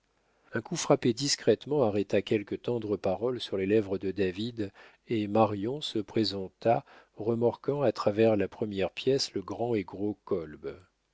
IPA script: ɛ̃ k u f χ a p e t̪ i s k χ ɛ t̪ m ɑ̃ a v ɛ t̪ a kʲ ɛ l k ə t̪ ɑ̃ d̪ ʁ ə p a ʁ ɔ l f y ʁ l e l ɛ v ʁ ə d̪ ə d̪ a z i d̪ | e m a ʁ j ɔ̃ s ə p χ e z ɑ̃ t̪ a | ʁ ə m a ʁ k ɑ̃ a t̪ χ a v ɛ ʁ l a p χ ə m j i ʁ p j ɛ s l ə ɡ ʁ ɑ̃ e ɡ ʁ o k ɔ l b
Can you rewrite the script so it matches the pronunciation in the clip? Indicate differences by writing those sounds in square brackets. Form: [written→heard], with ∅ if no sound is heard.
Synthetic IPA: ɛ̃ k u f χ a p e [t̪→d̪] i s k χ ɛ t̪ m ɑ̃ a [v→ʁ] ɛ t̪ a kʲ ɛ l k ə t̪ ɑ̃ d̪ ʁ ə p a ʁ ɔ l [f→s] y ʁ l e l ɛ v ʁ ə d̪ ə d̪ a [z→v] i d̪ | e m a ʁ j ɔ̃ s ə p χ e z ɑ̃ t̪ a | ʁ ə m a ʁ k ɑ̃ a t̪ χ a v ɛ ʁ l a p χ ə m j [i→ɛ] ʁ p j ɛ s l ə ɡ ʁ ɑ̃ e ɡ ʁ o k ɔ l b